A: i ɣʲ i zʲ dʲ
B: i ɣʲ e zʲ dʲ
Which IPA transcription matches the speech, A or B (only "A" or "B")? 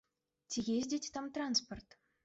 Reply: B